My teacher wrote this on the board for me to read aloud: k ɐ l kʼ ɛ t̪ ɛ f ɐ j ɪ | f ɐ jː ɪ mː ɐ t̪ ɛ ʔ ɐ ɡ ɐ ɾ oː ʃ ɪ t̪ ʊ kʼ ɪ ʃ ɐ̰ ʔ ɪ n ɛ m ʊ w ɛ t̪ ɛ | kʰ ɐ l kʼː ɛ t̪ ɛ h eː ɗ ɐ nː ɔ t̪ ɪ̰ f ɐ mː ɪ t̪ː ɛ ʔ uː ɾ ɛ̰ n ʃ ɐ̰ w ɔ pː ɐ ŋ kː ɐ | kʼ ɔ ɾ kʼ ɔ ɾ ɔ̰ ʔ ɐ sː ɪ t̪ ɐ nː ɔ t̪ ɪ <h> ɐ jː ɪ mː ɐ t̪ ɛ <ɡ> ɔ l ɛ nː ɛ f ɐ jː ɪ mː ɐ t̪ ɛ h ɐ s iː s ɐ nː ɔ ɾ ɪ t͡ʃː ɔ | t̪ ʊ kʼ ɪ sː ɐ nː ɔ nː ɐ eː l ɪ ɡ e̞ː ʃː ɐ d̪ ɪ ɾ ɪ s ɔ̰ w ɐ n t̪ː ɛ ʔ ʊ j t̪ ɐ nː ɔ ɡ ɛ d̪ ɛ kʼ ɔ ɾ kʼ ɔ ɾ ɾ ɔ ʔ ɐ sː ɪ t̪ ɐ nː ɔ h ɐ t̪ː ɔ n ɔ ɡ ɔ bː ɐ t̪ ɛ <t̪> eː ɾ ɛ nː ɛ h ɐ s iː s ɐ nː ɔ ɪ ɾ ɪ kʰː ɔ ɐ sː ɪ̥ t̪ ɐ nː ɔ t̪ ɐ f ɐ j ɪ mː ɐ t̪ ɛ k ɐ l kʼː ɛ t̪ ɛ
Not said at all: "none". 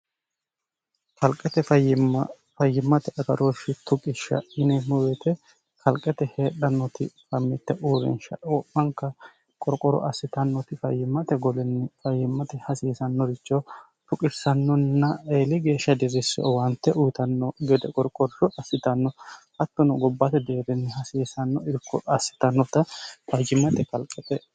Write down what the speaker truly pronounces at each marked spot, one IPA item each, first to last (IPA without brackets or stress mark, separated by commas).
f, ɡ, d̪